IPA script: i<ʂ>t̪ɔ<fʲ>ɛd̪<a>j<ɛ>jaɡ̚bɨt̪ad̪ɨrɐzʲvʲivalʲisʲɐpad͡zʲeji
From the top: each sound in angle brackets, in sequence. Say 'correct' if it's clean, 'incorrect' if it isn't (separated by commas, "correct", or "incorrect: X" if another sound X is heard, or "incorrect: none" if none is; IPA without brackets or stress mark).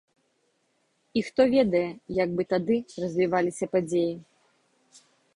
incorrect: x, incorrect: vʲ, incorrect: ɐ, correct